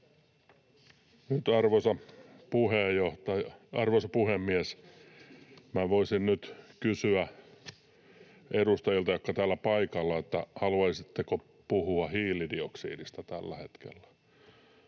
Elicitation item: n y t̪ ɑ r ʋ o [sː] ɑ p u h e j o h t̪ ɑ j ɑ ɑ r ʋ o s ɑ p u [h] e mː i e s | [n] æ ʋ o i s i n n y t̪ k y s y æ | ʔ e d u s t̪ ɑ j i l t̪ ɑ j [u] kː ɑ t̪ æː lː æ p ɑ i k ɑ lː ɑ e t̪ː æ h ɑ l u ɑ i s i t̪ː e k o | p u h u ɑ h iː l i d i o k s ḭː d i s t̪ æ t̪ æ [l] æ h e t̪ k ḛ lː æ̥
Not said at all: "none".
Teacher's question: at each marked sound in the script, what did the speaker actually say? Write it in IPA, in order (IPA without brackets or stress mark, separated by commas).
s, h, m, o, lː